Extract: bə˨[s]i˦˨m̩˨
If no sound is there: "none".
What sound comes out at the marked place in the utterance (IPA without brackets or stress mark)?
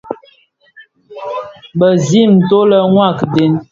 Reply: z